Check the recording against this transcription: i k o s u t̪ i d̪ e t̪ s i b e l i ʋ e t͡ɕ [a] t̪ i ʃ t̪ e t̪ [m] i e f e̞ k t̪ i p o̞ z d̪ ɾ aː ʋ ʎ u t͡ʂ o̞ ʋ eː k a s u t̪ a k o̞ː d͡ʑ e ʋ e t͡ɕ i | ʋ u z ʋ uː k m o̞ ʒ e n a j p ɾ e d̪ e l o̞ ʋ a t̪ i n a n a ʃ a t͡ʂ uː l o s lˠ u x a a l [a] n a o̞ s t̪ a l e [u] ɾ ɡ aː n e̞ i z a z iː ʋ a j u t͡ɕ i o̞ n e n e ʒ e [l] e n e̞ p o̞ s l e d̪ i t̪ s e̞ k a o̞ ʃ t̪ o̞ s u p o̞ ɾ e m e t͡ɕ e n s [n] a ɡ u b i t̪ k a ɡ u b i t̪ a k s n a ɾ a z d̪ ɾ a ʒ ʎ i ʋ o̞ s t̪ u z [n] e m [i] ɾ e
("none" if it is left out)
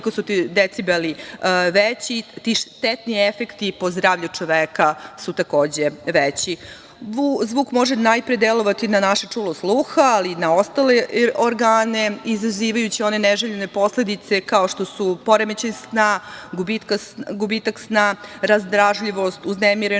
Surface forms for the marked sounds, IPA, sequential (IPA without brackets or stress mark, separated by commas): i, n, i, o, ʎ, n, n, i